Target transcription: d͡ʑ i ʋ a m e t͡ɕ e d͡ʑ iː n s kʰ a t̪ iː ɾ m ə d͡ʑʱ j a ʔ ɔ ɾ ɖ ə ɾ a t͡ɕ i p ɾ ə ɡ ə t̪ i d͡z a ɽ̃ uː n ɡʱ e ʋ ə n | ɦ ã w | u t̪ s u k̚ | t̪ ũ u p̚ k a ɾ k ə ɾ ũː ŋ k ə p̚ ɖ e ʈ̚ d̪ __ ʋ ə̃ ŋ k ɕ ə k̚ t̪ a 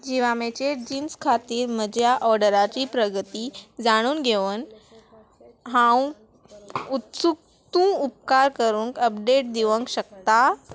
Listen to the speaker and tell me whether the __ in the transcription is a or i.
i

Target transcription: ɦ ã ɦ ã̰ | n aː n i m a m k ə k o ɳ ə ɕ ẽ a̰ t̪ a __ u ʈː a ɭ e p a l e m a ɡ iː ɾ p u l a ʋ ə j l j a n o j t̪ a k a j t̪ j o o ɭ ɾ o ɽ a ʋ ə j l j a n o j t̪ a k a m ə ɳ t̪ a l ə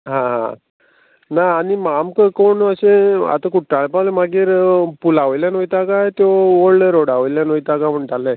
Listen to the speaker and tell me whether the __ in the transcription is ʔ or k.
k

